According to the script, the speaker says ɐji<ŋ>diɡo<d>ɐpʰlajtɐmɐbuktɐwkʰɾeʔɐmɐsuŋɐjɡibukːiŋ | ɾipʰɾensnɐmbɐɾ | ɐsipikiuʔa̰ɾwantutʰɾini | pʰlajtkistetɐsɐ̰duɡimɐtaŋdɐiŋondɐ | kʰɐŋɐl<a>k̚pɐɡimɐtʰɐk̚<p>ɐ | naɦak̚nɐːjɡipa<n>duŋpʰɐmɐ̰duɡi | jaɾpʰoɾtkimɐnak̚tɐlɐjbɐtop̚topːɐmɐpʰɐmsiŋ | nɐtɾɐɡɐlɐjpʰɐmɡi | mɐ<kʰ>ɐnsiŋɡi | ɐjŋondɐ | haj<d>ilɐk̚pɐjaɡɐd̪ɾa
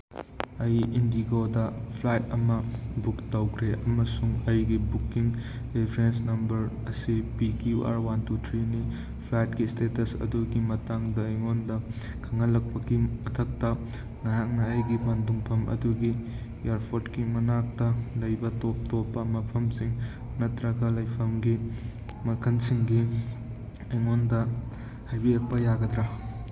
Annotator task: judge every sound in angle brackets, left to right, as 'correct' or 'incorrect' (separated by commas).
incorrect, correct, incorrect, incorrect, correct, correct, incorrect